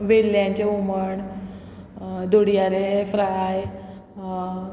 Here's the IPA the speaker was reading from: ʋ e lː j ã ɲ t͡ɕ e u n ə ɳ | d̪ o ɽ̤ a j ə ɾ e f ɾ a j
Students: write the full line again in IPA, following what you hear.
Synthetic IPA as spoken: ʋ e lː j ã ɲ t͡ɕ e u m ə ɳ | d̪ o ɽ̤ i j a ɾ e f ɾ a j